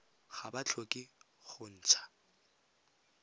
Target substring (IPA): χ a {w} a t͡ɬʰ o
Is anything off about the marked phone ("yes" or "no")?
yes